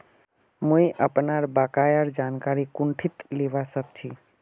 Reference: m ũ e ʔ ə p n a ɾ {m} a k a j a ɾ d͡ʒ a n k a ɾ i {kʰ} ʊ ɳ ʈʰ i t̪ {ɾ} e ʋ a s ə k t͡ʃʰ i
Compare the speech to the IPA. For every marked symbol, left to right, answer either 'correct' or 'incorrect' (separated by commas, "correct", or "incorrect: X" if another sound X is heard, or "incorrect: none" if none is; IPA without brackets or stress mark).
incorrect: b, incorrect: k, incorrect: l